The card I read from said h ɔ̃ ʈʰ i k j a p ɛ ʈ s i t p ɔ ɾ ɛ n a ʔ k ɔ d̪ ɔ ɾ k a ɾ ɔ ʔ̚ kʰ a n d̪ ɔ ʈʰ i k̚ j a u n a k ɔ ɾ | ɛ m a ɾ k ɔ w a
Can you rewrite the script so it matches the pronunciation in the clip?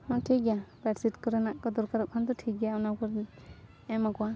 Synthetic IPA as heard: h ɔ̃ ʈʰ i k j a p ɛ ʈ s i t k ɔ ɾ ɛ n a ʔ k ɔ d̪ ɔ ɾ k a ɾ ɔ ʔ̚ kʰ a n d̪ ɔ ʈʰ i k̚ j a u n a k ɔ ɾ | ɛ m a k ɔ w a